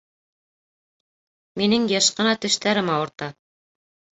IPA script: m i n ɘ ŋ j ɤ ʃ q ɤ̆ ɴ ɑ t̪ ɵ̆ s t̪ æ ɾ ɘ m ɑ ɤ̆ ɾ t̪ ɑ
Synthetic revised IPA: m i n ɘ ŋ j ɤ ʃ q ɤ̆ n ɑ t̪ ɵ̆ ʃ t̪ æ ɾ ɘ m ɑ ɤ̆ ɾ t̪ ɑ